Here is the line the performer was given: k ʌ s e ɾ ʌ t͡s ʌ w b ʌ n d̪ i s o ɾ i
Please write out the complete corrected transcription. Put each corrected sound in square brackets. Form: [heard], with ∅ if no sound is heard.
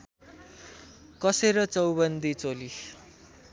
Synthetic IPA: k ʌ s e ɾ ʌ t͡s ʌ w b ʌ n d̪ i [t͡s] o [l] i